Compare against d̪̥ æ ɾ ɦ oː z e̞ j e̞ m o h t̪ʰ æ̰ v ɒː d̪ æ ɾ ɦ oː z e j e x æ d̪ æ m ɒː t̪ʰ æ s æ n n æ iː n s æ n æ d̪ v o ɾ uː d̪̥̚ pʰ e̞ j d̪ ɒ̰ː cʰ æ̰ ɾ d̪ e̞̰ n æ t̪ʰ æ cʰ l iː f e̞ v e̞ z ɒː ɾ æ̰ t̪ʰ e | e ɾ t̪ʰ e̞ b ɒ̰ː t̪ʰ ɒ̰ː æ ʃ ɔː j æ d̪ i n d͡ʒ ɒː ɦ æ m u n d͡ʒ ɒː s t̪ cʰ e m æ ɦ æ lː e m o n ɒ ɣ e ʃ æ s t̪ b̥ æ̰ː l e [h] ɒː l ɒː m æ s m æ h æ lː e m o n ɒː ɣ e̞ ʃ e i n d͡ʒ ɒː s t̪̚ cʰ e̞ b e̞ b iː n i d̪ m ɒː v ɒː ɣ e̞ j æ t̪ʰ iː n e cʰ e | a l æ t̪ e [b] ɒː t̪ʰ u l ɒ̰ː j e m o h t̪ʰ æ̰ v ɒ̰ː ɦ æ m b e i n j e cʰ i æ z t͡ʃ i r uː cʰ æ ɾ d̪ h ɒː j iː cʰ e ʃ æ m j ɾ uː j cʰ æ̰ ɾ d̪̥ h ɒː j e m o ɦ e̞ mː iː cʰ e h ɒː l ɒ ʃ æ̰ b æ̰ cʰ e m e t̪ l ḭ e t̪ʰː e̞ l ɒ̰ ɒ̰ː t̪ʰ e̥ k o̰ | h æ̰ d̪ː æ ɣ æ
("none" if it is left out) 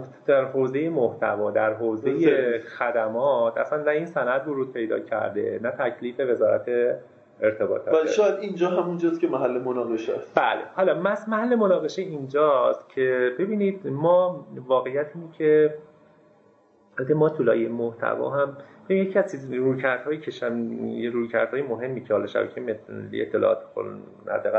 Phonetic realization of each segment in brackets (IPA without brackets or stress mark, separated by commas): h, m